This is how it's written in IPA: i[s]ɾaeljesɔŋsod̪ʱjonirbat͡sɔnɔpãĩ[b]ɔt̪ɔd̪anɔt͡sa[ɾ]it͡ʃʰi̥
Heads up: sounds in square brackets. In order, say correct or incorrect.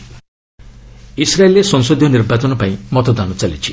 correct, incorrect: m, incorrect: l

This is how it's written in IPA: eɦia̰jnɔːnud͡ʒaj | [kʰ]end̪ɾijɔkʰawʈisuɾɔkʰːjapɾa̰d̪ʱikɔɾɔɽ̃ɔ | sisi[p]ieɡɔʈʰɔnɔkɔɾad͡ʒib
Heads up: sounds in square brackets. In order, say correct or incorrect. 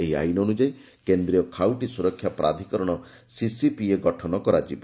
incorrect: k, correct

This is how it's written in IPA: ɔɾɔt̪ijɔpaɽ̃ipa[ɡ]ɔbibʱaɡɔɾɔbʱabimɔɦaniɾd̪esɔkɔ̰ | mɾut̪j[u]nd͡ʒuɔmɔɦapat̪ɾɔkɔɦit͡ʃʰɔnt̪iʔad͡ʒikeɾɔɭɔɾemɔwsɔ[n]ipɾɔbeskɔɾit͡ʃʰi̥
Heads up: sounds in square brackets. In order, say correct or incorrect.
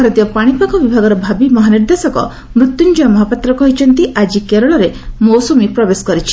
incorrect: k, correct, incorrect: m

